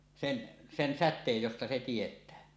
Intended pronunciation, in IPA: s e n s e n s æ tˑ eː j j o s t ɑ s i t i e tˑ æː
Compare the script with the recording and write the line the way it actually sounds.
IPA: s e n s e n s æ tˑ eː j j o s t ɑ s e t i e tˑ æː

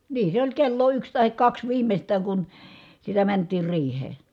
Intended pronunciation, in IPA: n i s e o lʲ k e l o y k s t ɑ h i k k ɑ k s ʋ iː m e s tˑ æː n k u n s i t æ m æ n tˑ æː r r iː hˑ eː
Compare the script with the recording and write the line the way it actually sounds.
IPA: n iː s e o lʲ k e lː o y k s t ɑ h i k k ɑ k s ʋ iː m e s tˑ æː ŋ k u n s i t æ m æ n tˑ iː r r iː hˑ eː

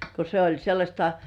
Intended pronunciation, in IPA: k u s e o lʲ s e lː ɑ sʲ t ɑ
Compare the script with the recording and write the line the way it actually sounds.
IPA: k o s e o lʲ s e lː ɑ sʲ t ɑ

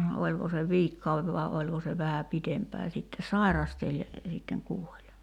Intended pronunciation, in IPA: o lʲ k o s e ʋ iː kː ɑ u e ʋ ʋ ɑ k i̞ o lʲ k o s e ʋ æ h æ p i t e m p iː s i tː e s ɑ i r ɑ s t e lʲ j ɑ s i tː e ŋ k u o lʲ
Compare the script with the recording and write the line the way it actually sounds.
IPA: o lʲ k o s e ʋ iː kː ɑ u e ʋ ʋ ɑ i̞ o lʲ k o s e ʋ æ h æ p i t e m p æː s i tː e s ɑ i r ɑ s t e lʲ j ɑ s i tː e ŋ k u o lʲ

